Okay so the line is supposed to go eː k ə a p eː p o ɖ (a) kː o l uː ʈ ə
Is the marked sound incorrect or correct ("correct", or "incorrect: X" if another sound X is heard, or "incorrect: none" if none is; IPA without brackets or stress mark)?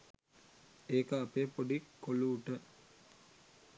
incorrect: i